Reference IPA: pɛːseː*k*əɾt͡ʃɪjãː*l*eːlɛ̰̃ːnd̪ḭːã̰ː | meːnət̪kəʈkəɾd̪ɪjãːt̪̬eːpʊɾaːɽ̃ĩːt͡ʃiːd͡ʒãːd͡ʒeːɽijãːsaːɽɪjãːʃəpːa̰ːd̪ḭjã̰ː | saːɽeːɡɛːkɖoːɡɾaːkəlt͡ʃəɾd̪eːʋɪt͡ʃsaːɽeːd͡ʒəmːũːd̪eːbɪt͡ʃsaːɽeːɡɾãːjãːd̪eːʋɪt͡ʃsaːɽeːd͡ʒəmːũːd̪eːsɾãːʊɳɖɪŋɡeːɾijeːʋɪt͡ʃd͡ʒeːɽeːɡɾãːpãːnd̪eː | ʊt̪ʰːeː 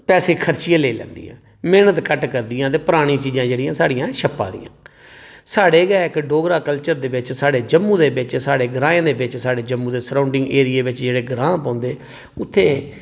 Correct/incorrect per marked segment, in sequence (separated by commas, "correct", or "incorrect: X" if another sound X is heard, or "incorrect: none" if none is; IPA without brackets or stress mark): incorrect: kʰ, correct